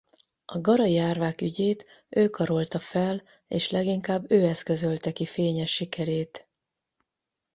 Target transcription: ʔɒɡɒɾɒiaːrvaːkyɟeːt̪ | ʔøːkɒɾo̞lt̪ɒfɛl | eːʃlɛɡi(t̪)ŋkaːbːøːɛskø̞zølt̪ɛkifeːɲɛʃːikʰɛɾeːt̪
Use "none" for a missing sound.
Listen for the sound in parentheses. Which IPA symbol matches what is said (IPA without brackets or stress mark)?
none